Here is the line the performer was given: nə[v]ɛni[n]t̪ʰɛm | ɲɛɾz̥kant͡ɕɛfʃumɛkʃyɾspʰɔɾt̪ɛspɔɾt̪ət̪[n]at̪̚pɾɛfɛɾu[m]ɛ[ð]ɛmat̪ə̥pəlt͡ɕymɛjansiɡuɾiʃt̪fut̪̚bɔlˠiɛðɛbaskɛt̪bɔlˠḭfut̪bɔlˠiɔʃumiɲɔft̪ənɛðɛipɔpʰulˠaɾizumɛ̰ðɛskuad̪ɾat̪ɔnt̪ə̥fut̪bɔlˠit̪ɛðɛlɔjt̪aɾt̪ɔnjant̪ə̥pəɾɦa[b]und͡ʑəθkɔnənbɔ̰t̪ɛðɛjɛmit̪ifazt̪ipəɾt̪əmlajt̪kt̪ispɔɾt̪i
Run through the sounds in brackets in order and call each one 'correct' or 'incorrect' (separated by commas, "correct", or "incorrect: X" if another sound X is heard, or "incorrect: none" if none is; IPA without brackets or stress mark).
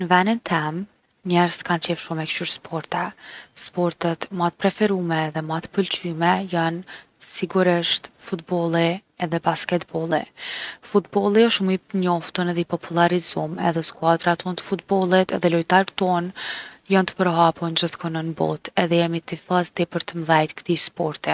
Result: correct, correct, incorrect: m, correct, correct, incorrect: p